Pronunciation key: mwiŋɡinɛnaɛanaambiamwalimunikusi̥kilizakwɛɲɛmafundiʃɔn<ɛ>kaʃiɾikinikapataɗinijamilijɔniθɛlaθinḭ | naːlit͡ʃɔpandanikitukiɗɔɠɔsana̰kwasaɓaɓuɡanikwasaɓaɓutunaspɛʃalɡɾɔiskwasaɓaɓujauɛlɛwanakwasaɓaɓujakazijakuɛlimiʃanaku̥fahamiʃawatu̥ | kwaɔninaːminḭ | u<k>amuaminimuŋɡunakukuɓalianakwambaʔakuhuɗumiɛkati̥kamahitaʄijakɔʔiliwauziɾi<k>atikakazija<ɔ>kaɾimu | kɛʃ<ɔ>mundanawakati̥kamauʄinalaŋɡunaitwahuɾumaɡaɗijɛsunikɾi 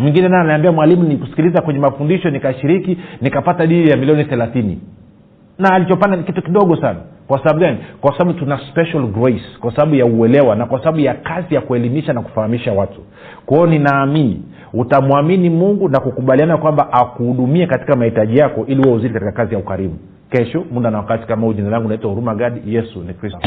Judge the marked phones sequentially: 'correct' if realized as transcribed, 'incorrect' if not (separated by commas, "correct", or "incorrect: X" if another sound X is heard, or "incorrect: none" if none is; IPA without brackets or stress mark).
incorrect: i, incorrect: t, correct, incorrect: u, correct